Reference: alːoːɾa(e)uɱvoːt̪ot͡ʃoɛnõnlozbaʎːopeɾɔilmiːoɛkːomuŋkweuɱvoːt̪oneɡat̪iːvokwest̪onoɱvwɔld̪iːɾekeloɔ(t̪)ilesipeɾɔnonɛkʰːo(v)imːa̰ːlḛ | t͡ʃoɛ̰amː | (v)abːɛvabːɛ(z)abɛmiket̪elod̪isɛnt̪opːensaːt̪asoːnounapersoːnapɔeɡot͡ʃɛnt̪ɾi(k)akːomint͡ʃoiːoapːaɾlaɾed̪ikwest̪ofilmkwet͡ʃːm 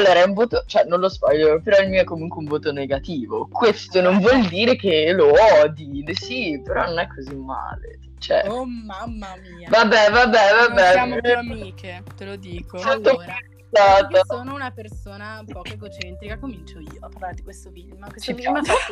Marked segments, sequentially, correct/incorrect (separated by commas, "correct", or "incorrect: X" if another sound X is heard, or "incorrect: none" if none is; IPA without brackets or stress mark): incorrect: ɛ, incorrect: d̪, incorrect: z, correct, incorrect: v, correct